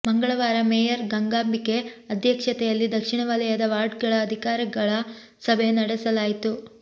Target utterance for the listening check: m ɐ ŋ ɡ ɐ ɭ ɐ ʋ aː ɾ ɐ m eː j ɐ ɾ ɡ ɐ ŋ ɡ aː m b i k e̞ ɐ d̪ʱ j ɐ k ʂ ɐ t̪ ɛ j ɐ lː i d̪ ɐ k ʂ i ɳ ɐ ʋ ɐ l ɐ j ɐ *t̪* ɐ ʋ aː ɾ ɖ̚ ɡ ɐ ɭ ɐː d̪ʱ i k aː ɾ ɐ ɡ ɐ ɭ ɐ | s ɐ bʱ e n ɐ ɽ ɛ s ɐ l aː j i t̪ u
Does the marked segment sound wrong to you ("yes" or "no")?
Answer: yes